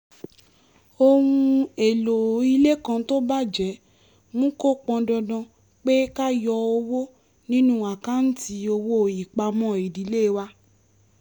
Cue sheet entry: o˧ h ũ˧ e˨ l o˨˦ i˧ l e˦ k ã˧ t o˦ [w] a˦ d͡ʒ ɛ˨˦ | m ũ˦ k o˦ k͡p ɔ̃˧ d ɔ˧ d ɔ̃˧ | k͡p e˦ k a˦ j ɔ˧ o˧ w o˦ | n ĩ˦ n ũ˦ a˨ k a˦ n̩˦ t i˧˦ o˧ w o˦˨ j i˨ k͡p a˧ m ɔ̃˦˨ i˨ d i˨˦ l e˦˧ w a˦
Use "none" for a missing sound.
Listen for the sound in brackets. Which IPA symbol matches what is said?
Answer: b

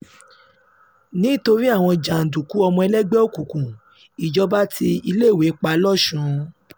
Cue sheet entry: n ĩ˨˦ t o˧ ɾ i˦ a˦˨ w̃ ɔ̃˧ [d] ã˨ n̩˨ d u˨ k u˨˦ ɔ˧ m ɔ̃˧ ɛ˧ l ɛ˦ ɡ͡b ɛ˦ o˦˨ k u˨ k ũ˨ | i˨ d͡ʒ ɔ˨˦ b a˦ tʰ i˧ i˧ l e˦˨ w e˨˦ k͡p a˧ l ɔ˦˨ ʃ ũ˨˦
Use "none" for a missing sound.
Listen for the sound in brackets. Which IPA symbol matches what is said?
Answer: d͡ʒ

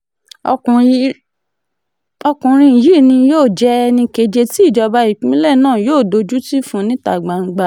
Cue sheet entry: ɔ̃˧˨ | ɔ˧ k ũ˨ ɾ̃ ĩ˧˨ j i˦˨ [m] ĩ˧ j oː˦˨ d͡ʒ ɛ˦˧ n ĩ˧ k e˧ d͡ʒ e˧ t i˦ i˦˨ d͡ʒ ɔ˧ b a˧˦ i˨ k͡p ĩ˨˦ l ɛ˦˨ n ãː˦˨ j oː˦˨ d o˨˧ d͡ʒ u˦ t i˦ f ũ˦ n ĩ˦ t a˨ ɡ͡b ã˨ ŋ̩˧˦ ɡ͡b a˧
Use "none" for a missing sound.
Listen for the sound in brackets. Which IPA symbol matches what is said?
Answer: n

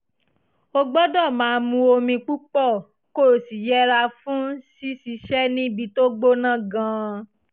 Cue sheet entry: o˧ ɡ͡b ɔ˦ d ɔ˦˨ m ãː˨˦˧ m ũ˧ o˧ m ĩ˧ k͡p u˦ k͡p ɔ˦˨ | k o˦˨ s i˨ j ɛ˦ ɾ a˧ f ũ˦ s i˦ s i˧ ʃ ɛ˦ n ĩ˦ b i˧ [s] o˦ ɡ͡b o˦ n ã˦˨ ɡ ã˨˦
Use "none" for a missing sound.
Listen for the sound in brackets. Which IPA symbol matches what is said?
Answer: t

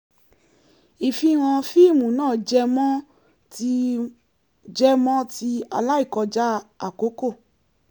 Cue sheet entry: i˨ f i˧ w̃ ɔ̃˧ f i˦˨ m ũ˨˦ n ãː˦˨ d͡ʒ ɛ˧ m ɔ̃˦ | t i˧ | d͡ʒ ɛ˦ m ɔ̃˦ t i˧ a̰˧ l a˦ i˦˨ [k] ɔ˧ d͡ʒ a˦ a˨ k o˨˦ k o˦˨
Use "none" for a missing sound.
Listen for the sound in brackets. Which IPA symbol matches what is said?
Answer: k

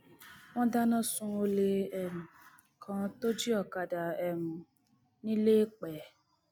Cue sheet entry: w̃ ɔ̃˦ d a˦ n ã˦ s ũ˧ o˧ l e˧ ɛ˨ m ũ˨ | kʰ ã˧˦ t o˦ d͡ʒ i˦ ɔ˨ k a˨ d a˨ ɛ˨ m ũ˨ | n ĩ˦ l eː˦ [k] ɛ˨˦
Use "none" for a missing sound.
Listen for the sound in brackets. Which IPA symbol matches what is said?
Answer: k͡p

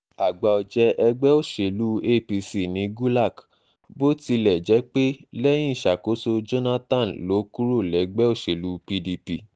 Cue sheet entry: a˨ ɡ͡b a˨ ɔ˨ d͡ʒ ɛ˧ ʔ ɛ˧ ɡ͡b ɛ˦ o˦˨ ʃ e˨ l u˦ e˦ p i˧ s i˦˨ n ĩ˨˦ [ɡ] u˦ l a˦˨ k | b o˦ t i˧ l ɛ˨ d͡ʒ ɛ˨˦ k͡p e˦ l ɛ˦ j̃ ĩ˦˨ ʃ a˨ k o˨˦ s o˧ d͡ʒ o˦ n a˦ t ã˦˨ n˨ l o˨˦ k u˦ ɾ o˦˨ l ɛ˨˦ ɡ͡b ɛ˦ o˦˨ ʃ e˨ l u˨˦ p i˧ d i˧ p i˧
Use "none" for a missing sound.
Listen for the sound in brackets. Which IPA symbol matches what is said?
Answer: ɡ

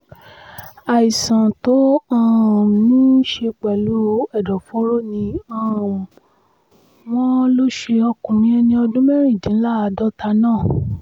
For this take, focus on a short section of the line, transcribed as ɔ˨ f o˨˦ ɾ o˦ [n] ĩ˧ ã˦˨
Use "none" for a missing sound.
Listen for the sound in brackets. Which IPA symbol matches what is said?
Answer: n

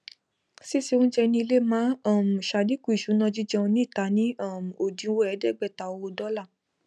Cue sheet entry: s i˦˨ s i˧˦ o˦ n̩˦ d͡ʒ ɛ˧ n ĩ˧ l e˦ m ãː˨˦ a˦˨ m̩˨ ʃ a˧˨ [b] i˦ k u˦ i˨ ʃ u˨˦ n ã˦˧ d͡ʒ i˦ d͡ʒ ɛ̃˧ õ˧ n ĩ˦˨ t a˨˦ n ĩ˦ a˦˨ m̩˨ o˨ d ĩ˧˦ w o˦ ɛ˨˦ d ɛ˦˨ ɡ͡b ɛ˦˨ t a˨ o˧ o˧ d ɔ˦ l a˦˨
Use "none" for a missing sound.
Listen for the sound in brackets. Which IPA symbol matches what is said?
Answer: d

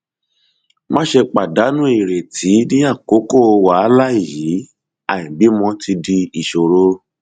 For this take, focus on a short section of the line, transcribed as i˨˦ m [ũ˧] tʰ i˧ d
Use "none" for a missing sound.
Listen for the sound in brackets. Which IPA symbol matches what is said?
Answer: ɔ̃˧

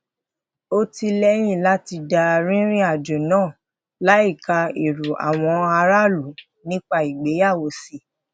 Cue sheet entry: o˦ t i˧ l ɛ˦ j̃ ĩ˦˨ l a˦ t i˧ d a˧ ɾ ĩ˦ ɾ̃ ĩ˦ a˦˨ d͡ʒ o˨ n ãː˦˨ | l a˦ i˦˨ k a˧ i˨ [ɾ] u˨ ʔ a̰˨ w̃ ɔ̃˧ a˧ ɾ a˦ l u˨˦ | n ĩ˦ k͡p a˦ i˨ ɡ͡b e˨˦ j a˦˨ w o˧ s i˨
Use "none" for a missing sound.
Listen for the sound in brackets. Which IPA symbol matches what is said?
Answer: ɾ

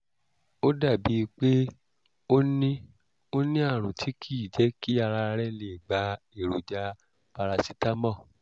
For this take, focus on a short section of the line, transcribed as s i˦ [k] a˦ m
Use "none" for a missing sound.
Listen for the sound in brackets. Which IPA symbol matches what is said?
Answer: t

